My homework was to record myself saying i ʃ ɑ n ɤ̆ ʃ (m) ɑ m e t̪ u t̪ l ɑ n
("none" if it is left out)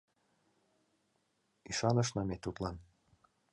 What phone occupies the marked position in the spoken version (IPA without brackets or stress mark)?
n